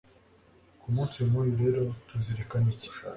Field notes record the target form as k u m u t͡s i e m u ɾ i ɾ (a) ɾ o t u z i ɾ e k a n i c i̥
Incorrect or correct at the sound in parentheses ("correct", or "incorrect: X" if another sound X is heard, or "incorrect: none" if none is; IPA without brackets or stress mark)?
incorrect: e